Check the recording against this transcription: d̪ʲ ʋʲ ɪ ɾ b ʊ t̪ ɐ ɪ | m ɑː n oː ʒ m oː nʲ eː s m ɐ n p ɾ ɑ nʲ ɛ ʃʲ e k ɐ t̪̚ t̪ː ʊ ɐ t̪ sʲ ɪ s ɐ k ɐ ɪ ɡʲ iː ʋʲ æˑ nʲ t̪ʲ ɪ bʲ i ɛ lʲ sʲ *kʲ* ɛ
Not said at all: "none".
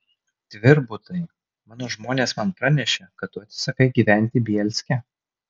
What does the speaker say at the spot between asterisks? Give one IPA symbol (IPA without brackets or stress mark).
kʲ